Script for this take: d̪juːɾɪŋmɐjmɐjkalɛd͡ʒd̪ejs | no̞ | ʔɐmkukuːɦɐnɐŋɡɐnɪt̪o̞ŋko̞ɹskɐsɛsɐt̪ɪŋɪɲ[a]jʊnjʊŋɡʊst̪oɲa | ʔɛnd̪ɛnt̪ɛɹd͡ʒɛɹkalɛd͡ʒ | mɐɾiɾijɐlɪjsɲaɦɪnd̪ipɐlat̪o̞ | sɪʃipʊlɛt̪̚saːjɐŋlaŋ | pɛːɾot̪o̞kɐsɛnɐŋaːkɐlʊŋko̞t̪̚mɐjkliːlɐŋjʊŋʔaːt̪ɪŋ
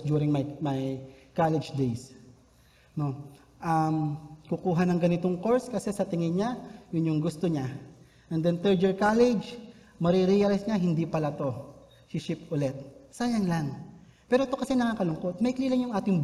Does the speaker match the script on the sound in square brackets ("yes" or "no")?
yes